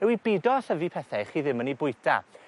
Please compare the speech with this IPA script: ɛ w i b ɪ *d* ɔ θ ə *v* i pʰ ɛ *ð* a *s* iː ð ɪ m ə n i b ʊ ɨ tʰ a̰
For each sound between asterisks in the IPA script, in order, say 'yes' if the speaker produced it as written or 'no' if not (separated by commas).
yes, yes, no, no